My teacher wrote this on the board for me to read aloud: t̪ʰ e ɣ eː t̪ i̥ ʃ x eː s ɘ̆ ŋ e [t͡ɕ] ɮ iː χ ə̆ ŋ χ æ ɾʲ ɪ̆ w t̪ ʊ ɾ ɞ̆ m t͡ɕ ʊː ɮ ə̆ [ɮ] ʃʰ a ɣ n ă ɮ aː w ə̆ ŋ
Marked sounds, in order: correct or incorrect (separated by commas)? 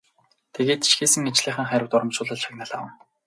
correct, correct